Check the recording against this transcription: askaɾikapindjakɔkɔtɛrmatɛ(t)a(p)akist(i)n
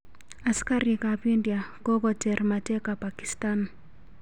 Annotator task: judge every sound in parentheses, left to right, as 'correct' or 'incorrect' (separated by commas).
incorrect, correct, incorrect